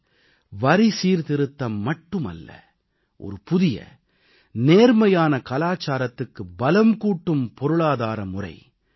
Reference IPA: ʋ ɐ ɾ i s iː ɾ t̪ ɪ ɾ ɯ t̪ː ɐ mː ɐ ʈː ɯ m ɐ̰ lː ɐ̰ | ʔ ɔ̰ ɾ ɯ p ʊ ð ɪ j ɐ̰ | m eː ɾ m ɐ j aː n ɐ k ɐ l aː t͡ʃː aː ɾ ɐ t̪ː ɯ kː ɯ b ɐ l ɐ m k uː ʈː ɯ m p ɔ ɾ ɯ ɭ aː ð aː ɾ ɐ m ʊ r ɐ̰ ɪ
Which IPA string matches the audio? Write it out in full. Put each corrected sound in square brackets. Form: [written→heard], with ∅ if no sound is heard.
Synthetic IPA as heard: ʋ ɐ ɾ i s iː ɾ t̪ ɪ ɾ ɯ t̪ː ɐ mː ɐ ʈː ɯ m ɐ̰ lː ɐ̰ | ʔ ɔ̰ ɾ ɯ p ʊ ð ɪ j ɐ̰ | [m→n] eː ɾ m ɐ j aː n ɐ k ɐ l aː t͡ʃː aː ɾ ɐ t̪ː ɯ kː ɯ b ɐ l ɐ m k uː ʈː ɯ m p ɔ ɾ ɯ ɭ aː ð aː ɾ ɐ m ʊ r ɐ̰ ɪ